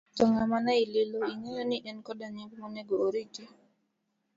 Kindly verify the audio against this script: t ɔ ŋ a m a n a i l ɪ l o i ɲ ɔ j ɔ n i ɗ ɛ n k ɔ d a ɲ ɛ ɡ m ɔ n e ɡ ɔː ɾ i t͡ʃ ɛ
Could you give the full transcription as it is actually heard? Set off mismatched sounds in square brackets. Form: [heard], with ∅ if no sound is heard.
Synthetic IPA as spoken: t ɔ ŋ a m a n a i l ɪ l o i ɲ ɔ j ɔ n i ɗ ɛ n k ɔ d a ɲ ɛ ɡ m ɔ n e ɡ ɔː ɾ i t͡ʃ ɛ